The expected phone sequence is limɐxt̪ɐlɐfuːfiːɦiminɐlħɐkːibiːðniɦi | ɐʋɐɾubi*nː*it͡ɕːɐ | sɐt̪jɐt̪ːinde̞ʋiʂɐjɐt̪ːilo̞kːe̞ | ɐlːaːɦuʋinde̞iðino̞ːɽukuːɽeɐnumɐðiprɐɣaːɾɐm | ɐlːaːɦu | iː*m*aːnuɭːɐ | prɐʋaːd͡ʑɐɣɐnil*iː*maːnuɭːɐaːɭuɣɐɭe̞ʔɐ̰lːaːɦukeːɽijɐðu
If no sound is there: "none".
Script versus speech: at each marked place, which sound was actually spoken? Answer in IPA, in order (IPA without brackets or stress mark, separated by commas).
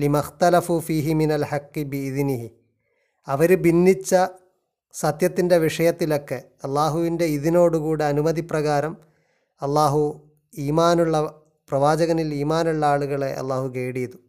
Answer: nː, m, iː